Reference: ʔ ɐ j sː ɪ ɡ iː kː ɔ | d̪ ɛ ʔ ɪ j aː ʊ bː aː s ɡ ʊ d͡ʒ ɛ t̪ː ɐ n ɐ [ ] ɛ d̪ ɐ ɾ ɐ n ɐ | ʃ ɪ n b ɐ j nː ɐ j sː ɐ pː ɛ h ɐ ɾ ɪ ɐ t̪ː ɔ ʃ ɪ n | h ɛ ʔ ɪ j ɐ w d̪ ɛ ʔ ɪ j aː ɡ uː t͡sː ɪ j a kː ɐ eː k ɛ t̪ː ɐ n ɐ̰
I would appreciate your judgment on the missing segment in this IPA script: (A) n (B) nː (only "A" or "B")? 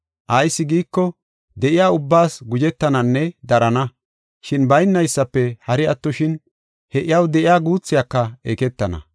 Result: B